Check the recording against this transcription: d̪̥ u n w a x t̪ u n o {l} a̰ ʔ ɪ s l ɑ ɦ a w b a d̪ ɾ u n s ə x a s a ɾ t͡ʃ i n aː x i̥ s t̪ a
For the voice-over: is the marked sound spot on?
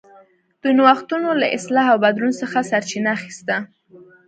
yes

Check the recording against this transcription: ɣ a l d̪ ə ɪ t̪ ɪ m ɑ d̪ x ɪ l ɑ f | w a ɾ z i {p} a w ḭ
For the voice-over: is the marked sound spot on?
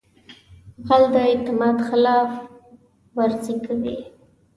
no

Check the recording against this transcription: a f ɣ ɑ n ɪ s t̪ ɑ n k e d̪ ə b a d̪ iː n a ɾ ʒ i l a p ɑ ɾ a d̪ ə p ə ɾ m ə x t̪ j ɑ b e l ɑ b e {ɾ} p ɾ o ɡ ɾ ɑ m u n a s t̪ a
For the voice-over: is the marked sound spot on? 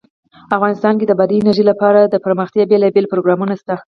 no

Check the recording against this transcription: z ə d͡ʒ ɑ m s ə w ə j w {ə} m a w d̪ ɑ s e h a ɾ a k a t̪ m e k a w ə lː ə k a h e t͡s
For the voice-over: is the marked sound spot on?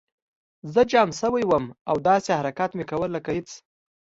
yes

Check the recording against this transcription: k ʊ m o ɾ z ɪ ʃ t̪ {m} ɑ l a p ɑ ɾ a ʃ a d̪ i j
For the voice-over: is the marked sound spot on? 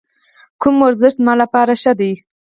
yes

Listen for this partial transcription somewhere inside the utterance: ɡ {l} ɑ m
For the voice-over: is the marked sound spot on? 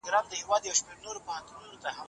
no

